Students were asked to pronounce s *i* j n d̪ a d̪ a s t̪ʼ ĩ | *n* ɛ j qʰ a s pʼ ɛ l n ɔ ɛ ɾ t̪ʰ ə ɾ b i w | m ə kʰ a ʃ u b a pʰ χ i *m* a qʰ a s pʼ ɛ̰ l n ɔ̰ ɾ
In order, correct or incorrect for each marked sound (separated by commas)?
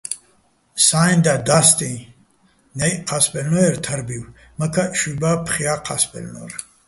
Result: incorrect, correct, incorrect